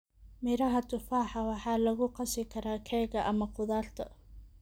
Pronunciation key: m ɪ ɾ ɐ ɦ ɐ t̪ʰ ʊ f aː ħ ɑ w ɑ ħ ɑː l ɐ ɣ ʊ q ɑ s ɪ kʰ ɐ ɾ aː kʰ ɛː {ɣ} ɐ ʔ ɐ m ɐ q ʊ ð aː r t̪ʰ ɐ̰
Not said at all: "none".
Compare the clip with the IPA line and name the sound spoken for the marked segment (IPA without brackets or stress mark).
ɣ